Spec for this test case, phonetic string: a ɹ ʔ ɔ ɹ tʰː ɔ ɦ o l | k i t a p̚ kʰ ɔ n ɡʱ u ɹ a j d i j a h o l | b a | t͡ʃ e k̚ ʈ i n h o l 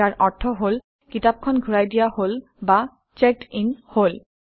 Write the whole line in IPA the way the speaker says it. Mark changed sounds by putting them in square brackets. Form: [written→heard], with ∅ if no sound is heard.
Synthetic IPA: a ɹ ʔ ɔ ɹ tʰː ɔ ɦ o l | k i t a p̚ kʰ ɔ n ɡʱ u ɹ a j d i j a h o l | b a | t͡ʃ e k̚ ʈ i n h o l